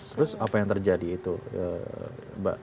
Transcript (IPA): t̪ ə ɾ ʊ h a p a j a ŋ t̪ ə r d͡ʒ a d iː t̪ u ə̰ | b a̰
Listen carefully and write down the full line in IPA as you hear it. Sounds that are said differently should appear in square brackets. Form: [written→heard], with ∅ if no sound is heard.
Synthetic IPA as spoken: t̪ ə ɾ ʊ [h→s] a p a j a ŋ t̪ ə r d͡ʒ a d iː t̪ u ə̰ | b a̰